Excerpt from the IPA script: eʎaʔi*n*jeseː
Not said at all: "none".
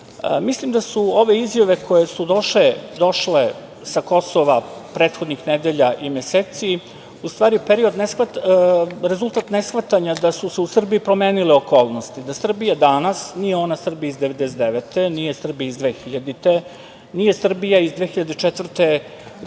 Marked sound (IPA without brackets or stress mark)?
m